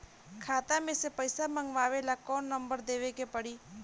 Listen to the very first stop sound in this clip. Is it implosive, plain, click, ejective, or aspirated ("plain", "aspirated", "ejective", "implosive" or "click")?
aspirated